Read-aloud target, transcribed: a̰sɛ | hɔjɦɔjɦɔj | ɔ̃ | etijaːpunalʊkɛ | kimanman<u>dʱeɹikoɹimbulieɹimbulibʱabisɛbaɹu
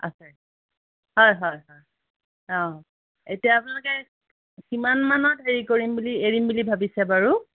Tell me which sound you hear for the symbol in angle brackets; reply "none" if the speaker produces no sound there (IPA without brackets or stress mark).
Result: ɔ